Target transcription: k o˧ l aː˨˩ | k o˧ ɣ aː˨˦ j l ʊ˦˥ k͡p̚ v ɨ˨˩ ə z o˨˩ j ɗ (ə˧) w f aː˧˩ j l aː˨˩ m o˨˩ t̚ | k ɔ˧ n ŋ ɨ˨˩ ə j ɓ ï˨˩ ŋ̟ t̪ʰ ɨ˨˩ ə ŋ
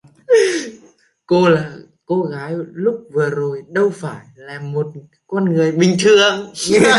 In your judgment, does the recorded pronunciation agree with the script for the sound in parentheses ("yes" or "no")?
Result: yes